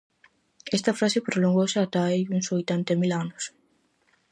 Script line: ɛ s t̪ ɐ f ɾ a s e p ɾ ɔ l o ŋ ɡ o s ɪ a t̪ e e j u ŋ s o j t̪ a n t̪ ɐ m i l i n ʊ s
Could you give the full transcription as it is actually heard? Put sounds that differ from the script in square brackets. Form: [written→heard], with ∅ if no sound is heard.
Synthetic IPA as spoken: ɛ s t̪ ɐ f ɾ a s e p ɾ [ɔ→o] l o ŋ ɡ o s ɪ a t̪ [e→a] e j u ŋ s o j t̪ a n t̪ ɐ m i l [i→a] n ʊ s

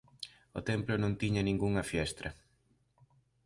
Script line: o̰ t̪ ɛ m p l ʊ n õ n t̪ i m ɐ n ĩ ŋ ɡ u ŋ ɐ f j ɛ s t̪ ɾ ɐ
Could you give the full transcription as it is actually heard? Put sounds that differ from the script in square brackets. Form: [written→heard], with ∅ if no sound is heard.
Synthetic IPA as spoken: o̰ t̪ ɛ m p l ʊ n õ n t̪ i [m→ɲ] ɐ n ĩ ŋ ɡ u ŋ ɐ f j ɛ s t̪ ɾ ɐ

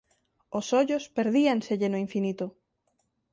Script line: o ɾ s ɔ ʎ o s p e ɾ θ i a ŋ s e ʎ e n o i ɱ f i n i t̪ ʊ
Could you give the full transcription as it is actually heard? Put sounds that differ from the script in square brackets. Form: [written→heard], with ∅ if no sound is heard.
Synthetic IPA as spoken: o [ɾ→∅] s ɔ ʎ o s p e ɾ [θ→ð] i a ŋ s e ʎ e n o i ɱ f i n i t̪ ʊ

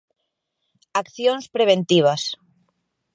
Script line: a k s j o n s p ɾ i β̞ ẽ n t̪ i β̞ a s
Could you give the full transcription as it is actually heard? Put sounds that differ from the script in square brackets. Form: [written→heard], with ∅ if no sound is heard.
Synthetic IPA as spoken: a k [s→θ] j o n s p ɾ [i→e] β̞ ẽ n t̪ i β̞ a s

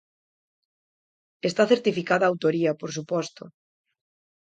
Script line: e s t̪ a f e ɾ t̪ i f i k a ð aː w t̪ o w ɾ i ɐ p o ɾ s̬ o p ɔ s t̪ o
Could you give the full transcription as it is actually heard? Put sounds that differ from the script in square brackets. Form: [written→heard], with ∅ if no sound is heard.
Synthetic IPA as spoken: e s t̪ a [f→θ] e ɾ t̪ i f i k a ð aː w t̪ o [w→∅] ɾ i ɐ p o ɾ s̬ [o→u] p ɔ s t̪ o

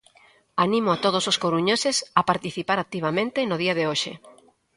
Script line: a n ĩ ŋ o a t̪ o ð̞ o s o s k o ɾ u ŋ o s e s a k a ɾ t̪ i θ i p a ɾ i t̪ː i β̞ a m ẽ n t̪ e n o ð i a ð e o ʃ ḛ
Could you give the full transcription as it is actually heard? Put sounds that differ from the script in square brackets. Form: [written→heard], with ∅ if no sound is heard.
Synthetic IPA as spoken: a n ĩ [ŋ→m] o a t̪ o ð̞ o s o s k o ɾ u [ŋ→ɲ] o s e s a [k→p] a ɾ t̪ i θ i p a ɾ [i→a] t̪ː i β̞ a m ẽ n t̪ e n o ð i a ð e o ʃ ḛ

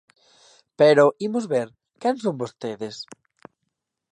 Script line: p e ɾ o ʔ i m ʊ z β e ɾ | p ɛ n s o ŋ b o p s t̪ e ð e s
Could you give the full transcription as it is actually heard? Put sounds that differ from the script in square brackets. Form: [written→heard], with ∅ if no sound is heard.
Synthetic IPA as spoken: p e ɾ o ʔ i m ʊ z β e ɾ | [p→k] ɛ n s o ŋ b o [p→∅] s t̪ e ð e s

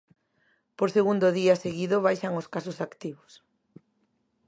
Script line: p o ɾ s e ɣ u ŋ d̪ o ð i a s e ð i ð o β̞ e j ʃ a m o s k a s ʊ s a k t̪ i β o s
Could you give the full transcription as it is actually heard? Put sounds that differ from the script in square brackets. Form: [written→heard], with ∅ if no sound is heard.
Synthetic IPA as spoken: p o ɾ s e ɣ u [ŋ→n] d̪ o ð i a s e [ð→ɣ] i ð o β̞ [e→a] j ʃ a [m→ŋ] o s k a s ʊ s a k t̪ i β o s

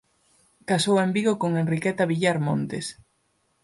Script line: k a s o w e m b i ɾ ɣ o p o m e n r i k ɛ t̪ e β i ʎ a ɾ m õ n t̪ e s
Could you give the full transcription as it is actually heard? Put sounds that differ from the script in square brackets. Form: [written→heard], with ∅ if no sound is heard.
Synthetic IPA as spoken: k a s o w e m b i [ɾ→∅] ɣ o [p→k] o [m→ŋ] e n r i k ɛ t̪ [e→a] β i ʎ a ɾ m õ n t̪ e s

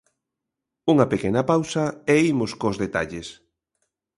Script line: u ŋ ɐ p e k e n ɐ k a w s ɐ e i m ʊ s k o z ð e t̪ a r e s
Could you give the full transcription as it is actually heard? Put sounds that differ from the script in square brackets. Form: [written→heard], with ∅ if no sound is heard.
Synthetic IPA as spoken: u ŋ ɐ p e k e n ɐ [k→p] a w s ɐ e i m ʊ s k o z ð e t̪ a [r→ʎ] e s

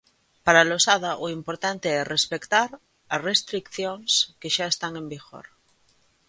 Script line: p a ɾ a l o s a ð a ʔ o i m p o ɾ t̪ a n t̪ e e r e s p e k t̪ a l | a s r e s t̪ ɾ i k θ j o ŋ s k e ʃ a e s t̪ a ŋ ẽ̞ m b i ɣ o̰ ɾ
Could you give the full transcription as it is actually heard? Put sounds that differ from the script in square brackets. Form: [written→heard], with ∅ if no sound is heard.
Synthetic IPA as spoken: p a ɾ a l o s a ð a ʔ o i m p o ɾ t̪ a n t̪ e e r e s p e k t̪ a [l→ɾ] | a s r e s t̪ ɾ i k θ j o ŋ s k e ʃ a e s t̪ a ŋ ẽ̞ m b i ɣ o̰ ɾ

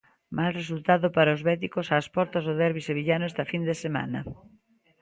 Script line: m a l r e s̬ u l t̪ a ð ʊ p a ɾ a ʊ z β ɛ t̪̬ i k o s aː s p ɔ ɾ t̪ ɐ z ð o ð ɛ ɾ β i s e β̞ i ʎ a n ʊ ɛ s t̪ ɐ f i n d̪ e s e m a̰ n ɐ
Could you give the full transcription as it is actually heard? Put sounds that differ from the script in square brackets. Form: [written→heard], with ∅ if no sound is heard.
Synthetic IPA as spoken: m a l r e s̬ u l t̪ a ð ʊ p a ɾ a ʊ z β ɛ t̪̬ i k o s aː s p ɔ ɾ t̪ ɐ z ð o ð ɛ ɾ β i s e β̞ i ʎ a n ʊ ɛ s t̪ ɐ f i n d̪ e s e m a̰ n ɐ

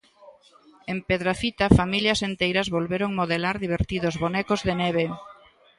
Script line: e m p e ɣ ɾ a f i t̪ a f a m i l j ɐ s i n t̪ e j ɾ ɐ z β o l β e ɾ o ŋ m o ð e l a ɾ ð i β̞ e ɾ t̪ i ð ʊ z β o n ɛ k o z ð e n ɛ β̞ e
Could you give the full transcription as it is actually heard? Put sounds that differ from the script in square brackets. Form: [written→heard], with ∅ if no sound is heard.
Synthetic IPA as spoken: e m p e [ɣ→ð] ɾ a f i t̪ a f a m i l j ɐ s [i→e] n t̪ e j ɾ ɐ z β o l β e ɾ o ŋ m o ð e l a ɾ ð i β̞ e ɾ t̪ i ð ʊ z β o n ɛ k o z ð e n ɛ β̞ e

